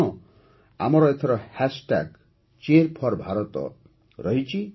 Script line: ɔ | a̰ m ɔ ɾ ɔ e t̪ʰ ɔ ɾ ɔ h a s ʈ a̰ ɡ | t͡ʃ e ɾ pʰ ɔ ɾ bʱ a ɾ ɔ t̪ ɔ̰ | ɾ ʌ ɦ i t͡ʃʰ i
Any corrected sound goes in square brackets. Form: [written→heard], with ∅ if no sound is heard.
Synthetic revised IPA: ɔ | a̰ m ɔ ɾ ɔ e t̪ʰ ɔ ɾ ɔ h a s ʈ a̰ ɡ | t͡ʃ e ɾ pʰ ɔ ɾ bʱ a ɾ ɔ t̪ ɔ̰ | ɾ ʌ ɦ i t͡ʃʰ i